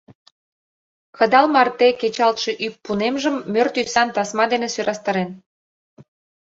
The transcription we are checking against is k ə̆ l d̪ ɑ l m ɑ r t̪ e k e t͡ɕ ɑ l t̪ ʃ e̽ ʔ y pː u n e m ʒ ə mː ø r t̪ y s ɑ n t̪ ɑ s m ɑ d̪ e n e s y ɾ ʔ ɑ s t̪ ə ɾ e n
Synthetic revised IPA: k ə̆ d̪ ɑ l m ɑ r t̪ e k e t͡ɕ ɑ l t̪ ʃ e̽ ʔ y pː u n e m ʒ ə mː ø r t̪ y s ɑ n t̪ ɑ s m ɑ d̪ e n e s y ɾ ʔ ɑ s t̪ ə ɾ e n